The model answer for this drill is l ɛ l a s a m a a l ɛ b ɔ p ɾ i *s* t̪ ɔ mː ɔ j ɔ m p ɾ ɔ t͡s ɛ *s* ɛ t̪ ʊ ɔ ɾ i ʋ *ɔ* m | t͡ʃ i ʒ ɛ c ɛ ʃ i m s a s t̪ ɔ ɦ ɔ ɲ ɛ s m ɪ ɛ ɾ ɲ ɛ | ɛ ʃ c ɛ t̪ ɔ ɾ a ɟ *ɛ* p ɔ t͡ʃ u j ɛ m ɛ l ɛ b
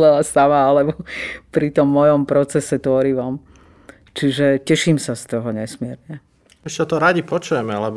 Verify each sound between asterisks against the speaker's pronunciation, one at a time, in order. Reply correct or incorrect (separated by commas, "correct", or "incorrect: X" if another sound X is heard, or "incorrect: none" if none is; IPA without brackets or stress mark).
incorrect: none, correct, correct, incorrect: i